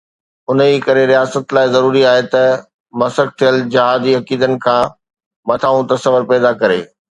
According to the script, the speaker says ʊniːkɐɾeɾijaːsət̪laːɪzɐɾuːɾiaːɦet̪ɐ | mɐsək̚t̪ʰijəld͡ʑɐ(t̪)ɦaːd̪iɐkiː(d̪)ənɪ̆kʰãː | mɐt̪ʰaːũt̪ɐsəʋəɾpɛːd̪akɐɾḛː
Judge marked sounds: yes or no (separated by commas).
no, yes